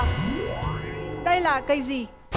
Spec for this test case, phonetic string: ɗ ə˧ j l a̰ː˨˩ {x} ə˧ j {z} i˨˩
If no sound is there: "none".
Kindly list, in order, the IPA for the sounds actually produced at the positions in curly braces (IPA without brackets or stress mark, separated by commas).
k, z